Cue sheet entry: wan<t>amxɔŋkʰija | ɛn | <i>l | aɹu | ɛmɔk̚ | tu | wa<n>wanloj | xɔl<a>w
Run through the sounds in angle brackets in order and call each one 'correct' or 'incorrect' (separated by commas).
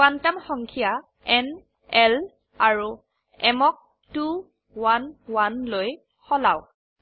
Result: correct, incorrect, correct, correct